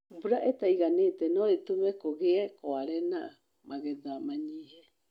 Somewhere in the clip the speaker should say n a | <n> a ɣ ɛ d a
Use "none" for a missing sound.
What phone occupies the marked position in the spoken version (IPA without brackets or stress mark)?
m